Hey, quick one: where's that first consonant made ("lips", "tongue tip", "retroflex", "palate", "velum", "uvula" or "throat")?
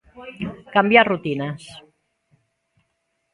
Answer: velum